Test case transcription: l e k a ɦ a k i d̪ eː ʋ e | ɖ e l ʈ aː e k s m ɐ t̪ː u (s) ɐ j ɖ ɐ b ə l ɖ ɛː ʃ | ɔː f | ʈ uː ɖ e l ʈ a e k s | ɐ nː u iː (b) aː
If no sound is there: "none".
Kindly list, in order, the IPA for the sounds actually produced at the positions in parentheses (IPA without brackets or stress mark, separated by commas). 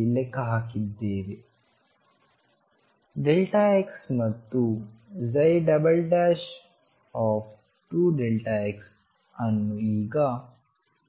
z, ɡ